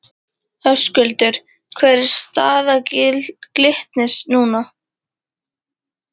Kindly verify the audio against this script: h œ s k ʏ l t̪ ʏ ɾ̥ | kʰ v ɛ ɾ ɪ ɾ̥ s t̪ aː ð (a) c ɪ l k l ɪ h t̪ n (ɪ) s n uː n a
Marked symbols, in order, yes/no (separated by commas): yes, yes